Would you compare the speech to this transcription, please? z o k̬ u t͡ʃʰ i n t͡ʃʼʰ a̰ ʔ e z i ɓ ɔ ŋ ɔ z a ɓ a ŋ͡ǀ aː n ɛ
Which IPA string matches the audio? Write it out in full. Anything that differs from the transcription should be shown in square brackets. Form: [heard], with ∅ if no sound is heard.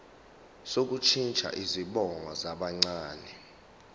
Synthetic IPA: [s] o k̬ u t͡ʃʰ i n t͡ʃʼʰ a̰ ʔ [i] z i ɓ ɔ ŋ ɔ z a ɓ a ŋ͡ǀ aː n ɛ